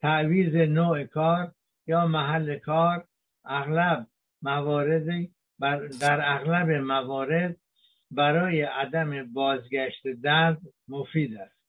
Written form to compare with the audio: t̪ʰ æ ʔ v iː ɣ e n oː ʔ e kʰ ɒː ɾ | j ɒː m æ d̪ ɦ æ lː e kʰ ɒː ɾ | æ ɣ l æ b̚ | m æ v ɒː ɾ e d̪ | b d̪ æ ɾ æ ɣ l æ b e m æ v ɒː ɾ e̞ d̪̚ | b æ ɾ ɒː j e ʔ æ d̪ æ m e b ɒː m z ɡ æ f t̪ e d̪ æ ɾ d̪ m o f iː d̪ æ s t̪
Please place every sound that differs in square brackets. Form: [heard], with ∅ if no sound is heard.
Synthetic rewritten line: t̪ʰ æ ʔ v iː [z] e n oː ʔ e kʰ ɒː ɾ | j ɒː m æ [∅] ɦ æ lː e kʰ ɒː ɾ | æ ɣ l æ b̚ | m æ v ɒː ɾ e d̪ | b d̪ æ ɾ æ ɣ l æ b e m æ v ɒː ɾ e̞ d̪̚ | b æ ɾ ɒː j e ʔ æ d̪ æ m e b ɒː [∅] z ɡ æ [ʃ] t̪ e d̪ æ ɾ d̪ m o f iː d̪ æ s t̪